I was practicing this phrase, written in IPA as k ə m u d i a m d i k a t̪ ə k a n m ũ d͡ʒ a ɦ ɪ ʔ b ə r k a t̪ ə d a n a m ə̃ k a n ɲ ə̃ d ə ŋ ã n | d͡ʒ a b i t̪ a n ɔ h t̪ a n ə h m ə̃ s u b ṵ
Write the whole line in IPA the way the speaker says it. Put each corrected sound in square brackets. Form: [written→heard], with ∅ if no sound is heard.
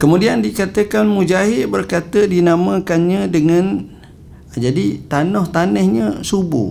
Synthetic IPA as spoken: k ə m u d i a [m→n] d i k a t̪ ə k a n m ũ d͡ʒ a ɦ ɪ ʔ b ə r k a t̪ ə d [a→i] n a m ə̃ k a n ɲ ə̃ d ə ŋ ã n | d͡ʒ a [b→d] i t̪ a n ɔ h t̪ a n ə h [m→ɲ] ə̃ s u b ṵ